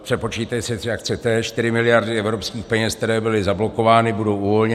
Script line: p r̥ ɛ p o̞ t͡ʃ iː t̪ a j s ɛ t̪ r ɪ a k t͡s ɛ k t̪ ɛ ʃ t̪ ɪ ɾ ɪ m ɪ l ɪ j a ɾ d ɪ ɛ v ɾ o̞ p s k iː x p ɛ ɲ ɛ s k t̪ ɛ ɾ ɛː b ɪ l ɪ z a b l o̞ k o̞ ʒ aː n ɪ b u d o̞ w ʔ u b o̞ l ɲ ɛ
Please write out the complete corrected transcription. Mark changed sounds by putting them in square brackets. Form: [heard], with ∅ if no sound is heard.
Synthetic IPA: p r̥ ɛ p o̞ t͡ʃ iː t̪ a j s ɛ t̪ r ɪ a k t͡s ɛ [∅] t̪ ɛ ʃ t̪ ɪ ɾ ɪ m ɪ l ɪ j a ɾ d ɪ ɛ v ɾ o̞ p s k iː x p ɛ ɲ ɛ s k t̪ ɛ ɾ ɛː b ɪ l ɪ z a b l o̞ k o̞ [v] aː n ɪ b u d o̞ w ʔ u [v] o̞ l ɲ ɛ

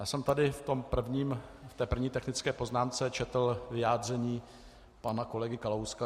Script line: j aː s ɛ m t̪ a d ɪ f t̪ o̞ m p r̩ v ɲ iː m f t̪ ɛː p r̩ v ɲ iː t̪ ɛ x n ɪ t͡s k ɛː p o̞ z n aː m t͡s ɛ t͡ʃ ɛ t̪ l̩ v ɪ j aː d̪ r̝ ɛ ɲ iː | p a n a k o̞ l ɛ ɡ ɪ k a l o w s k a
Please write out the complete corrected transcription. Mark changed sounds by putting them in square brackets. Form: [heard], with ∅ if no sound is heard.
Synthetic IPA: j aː s ɛ m t̪ a d ɪ f t̪ o̞ m p r̩ v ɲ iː m f t̪ ɛː p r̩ v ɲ iː t̪ ɛ x n ɪ t͡s k ɛː p o̞ z n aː m t͡s ɛ t͡ʃ ɛ t̪ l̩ v ɪ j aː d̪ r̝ ɛ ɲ iː | p a n a k o̞ l ɛ ɡ ɪ k a l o w s k a

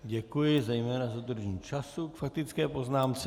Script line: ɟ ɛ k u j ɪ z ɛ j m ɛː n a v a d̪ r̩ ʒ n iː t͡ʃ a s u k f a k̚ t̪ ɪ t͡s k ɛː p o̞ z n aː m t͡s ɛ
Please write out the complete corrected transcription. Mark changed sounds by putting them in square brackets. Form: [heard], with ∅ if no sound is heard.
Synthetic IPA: ɟ ɛ k u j ɪ z ɛ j m ɛː n a [z] a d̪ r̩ ʒ [ɲ] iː t͡ʃ a s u k f a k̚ t̪ ɪ t͡s k ɛː p o̞ z n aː m t͡s ɛ

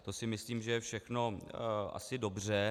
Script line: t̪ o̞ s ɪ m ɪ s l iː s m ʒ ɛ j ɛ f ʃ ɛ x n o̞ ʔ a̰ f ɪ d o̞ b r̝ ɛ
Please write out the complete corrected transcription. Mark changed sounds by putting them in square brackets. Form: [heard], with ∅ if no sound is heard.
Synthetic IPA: t̪ o̞ s ɪ m ɪ s l iː [∅] m ʒ ɛ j ɛ f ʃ ɛ x n o̞ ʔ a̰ [s] ɪ d o̞ b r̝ ɛ

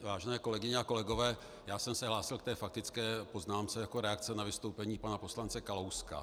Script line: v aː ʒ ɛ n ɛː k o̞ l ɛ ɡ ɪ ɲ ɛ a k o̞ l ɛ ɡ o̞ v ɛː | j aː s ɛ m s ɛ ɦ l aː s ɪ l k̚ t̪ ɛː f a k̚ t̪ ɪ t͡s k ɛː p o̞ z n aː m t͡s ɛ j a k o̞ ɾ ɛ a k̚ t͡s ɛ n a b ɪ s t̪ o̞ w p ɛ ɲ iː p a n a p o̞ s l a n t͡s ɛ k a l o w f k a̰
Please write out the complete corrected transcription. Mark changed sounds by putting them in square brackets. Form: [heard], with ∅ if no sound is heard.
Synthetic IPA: v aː ʒ ɛ n ɛː k o̞ l ɛ ɡ ɪ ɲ ɛ a k o̞ l ɛ ɡ o̞ v ɛː | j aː s ɛ m s ɛ ɦ l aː s ɪ l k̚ t̪ ɛː f a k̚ t̪ ɪ t͡s k ɛː p o̞ z n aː m t͡s ɛ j a k o̞ ɾ ɛ a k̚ t͡s ɛ n a [v] ɪ s t̪ o̞ w p ɛ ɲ iː p a n a p o̞ s l a n t͡s ɛ k a l o w [s] k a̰

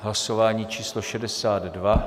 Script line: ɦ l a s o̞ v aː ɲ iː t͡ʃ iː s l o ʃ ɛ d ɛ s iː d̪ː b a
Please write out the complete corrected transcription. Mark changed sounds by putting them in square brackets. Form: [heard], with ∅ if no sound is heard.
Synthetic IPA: ɦ l a s o̞ v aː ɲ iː t͡ʃ iː s l o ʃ ɛ d ɛ s [aː] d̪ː [v] a

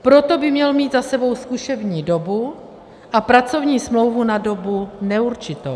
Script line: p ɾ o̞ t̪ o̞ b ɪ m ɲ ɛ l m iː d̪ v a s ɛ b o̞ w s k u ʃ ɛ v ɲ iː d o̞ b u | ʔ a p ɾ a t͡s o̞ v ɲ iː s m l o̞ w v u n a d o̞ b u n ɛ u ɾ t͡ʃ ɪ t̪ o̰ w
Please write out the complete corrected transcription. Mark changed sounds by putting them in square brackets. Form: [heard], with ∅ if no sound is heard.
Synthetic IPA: p ɾ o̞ t̪ o̞ b ɪ m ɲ ɛ l m iː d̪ [z] a s ɛ b o̞ w s k u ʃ ɛ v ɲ iː d o̞ b u | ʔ a p ɾ a t͡s o̞ v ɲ iː s m l o̞ w v u n a d o̞ b u n ɛ u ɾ t͡ʃ ɪ t̪ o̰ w

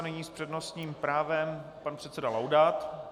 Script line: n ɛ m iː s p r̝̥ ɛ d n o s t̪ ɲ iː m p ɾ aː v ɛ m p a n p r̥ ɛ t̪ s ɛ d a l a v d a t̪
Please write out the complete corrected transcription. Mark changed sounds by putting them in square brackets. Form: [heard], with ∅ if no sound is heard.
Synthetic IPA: n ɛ [ɲ] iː s p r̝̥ ɛ d n o s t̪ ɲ iː m p ɾ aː v ɛ m p a n p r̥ ɛ t̪ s ɛ d a l a [w] d a t̪

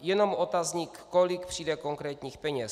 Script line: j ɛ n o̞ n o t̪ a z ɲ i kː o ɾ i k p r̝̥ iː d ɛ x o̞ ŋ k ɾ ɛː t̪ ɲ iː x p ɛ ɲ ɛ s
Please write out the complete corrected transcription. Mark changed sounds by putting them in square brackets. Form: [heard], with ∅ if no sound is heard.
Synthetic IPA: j ɛ n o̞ [m] o t̪ a z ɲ i kː o [l] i k p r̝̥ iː d ɛ [k] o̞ ŋ k ɾ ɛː t̪ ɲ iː x p ɛ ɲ ɛ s

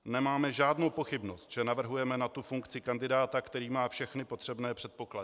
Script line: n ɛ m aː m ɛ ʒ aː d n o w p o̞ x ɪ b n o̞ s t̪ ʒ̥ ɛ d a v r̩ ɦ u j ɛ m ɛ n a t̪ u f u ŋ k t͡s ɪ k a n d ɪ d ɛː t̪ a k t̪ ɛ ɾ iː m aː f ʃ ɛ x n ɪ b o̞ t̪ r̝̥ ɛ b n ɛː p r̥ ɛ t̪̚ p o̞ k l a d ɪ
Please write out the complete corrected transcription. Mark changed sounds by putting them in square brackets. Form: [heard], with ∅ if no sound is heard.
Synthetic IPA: n ɛ m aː m ɛ ʒ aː d n o w p o̞ x ɪ b n o̞ s t̪ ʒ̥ ɛ [n] a v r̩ ɦ u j ɛ m ɛ n a t̪ u f u ŋ k t͡s ɪ k a n d ɪ d [aː] t̪ a k t̪ ɛ ɾ iː m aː f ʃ ɛ x n ɪ [p] o̞ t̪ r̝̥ ɛ b n ɛː p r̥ ɛ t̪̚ p o̞ k l a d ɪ

